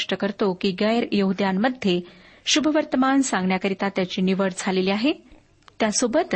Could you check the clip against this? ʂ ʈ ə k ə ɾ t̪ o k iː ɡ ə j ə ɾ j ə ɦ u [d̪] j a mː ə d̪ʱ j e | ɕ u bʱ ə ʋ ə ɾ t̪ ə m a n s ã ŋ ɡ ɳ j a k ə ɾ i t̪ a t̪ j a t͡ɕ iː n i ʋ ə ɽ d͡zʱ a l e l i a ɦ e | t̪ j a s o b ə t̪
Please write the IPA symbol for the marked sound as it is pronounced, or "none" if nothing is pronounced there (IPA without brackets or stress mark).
d̪